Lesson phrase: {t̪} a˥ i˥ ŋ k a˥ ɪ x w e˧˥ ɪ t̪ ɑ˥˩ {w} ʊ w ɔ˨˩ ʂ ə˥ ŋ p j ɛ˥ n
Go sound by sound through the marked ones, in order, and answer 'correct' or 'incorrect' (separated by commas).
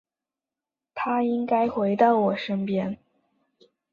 incorrect, incorrect